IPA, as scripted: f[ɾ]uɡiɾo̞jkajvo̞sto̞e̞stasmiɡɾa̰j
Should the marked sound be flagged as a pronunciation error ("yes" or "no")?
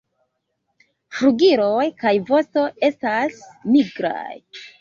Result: no